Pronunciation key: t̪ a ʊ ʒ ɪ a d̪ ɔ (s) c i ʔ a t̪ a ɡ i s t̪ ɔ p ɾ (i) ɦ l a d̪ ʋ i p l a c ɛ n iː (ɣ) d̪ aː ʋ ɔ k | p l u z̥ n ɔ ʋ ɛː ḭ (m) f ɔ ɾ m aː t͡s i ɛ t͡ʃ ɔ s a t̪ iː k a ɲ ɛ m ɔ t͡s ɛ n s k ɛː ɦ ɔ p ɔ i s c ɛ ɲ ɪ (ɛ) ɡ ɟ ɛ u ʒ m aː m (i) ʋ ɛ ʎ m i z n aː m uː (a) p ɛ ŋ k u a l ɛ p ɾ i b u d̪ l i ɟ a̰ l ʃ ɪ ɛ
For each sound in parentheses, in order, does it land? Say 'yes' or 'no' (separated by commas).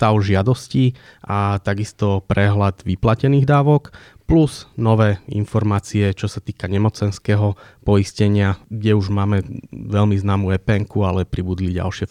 yes, no, yes, no, no, no, no